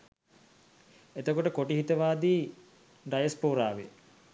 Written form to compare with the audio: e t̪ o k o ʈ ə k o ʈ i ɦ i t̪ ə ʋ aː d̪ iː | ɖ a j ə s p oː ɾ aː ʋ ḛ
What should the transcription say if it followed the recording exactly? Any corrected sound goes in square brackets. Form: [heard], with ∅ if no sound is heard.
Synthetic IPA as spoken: e t̪ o k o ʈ ə k o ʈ i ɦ i t̪ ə ʋ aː d̪ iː | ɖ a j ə s p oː ɾ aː ʋ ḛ